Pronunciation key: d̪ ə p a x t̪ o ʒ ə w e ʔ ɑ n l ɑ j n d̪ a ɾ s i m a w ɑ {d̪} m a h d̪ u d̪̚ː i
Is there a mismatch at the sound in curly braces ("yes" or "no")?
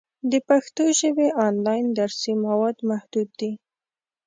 no